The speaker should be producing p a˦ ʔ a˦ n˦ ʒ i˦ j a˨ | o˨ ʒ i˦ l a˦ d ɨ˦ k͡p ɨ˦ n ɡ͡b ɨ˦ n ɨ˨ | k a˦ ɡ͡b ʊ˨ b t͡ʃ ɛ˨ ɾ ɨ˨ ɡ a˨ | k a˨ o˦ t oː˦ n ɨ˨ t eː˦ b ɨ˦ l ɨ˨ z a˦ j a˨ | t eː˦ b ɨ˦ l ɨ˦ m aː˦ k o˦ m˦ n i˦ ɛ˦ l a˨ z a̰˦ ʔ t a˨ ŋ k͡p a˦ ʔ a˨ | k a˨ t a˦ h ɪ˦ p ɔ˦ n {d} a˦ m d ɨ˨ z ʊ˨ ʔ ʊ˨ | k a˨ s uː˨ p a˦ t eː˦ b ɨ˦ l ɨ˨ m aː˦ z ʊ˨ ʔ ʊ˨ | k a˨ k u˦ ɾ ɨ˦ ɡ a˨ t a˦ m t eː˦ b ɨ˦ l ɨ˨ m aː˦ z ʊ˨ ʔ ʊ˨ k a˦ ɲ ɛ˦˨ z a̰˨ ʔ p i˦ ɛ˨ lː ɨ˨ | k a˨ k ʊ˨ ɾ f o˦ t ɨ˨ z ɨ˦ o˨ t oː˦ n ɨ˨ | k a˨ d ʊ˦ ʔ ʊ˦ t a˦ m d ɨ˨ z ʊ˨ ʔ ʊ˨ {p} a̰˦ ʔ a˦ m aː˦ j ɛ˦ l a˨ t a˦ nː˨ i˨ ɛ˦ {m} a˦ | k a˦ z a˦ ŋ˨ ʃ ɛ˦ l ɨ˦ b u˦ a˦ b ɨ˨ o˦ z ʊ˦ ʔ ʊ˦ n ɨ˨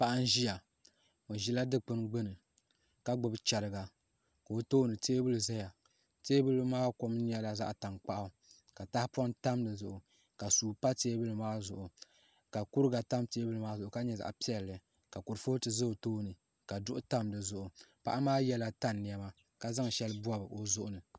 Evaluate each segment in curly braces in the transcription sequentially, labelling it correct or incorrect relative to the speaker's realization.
incorrect: t, correct, correct

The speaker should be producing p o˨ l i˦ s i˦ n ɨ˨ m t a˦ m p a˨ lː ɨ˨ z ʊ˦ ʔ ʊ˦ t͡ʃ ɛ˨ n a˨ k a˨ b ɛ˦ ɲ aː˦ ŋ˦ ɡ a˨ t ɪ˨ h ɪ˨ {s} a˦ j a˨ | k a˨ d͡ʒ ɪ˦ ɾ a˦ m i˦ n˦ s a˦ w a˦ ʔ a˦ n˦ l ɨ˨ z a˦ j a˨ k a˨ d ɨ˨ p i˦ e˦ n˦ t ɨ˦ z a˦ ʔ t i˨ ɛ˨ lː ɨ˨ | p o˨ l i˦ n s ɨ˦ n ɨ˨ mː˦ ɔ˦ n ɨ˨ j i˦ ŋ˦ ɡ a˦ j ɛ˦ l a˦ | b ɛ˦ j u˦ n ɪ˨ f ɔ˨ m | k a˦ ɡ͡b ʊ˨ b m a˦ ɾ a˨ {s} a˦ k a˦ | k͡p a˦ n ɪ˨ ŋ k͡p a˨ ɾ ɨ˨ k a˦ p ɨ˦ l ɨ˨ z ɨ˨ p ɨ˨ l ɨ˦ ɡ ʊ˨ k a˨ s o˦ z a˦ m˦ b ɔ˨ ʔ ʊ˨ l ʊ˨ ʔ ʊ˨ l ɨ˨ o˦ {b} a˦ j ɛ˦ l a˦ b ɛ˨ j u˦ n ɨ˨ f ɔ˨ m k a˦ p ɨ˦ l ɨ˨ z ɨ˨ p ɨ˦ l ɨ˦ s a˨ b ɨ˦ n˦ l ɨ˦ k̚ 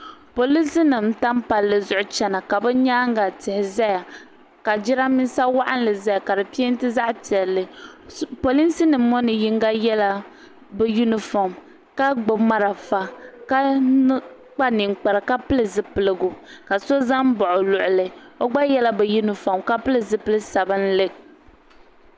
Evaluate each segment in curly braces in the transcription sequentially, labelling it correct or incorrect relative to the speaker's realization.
incorrect: z, incorrect: f, incorrect: ɡ͡b

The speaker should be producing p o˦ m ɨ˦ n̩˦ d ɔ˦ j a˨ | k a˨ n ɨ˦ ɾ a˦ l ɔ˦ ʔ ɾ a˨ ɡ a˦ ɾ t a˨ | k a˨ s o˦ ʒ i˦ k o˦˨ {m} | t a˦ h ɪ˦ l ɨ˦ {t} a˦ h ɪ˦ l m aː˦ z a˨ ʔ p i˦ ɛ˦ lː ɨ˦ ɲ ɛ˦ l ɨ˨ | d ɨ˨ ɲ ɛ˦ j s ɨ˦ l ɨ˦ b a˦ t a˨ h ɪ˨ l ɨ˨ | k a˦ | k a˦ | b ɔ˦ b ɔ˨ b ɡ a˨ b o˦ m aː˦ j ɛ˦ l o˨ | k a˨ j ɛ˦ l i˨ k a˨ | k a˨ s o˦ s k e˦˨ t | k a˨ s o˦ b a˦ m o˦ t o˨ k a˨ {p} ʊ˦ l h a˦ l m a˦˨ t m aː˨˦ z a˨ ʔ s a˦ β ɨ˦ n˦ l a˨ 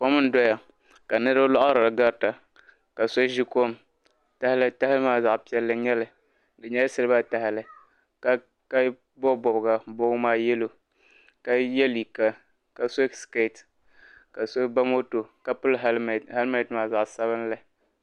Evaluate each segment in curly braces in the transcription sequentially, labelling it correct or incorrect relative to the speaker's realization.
correct, correct, correct

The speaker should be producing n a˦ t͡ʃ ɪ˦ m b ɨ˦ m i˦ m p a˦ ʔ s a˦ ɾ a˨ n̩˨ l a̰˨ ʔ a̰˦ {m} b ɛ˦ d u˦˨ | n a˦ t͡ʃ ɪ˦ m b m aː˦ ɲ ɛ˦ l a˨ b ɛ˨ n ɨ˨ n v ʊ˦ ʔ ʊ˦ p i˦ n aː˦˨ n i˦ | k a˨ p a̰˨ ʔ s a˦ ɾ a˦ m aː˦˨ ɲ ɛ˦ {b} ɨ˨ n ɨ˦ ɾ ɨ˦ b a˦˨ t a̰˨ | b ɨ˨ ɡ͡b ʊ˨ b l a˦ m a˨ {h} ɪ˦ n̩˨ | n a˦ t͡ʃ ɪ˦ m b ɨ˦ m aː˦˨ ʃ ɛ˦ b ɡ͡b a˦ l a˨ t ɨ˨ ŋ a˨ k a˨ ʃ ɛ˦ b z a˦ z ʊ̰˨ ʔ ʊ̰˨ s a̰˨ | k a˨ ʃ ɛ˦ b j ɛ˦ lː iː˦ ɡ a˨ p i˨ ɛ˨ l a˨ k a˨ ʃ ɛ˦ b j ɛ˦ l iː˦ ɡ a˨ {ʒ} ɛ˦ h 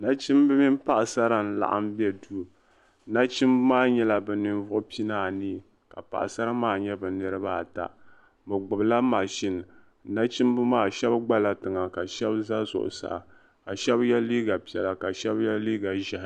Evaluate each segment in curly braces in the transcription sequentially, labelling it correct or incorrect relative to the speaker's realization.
correct, correct, incorrect: ʃ, correct

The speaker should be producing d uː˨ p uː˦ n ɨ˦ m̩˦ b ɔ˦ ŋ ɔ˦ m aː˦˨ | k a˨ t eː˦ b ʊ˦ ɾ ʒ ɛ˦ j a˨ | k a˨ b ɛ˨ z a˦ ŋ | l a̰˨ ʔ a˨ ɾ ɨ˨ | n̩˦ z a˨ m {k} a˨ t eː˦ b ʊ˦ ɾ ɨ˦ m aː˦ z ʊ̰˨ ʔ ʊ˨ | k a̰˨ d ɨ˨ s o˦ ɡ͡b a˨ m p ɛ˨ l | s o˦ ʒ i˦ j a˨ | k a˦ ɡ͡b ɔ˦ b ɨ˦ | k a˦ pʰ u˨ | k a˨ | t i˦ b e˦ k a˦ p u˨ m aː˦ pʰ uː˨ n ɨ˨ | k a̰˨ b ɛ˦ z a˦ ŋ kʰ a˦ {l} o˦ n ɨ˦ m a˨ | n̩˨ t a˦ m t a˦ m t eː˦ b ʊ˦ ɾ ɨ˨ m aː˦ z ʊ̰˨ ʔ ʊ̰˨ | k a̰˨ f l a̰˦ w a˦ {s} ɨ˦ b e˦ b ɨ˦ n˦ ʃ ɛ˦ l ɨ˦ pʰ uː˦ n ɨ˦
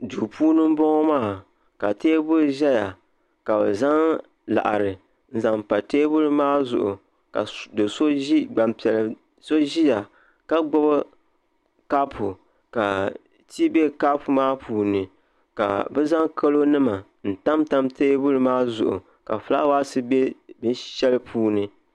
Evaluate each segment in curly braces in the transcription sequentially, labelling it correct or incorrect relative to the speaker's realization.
incorrect: p, correct, correct

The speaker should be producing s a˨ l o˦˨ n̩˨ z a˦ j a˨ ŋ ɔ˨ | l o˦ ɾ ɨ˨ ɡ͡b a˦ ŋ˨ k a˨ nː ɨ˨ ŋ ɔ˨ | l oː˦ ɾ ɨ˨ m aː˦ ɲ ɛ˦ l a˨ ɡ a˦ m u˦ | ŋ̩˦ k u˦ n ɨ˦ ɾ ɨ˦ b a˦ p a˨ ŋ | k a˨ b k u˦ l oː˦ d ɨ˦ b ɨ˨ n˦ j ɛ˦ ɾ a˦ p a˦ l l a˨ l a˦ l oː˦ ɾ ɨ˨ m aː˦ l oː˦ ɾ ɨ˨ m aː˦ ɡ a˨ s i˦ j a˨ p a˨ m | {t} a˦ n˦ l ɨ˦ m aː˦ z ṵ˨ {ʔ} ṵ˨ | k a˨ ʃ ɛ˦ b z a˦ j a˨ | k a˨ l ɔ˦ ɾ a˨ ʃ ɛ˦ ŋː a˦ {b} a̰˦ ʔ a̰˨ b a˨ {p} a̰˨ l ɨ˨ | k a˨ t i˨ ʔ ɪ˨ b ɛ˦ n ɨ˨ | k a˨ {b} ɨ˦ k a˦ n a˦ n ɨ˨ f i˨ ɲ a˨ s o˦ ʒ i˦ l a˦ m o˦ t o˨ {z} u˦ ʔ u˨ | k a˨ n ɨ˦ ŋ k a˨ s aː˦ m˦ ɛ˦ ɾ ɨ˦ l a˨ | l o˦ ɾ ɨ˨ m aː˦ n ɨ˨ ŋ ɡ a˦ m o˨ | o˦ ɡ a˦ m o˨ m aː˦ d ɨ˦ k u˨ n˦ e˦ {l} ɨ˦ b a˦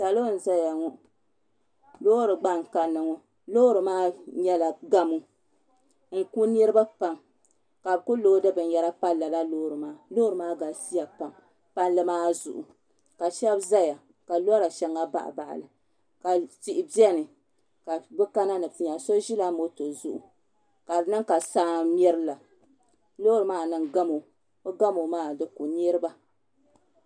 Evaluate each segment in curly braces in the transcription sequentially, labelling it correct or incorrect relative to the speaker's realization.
incorrect: p, correct, correct, incorrect: ʔ, correct, correct, incorrect: ɾ

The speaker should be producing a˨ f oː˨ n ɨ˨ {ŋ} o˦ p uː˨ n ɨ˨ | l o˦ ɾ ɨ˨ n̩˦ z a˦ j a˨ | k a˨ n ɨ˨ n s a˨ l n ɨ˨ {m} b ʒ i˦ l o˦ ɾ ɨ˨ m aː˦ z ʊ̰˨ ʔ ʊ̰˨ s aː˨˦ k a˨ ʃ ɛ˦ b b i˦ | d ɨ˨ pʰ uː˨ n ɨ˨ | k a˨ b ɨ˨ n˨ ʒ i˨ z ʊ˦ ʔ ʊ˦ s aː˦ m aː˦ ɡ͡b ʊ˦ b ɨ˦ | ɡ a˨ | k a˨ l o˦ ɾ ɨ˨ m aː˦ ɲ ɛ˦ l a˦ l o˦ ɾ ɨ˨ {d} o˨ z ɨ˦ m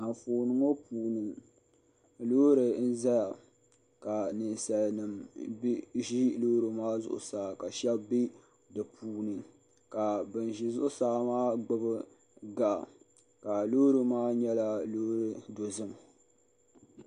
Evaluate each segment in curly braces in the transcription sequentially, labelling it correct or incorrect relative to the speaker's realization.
correct, correct, correct

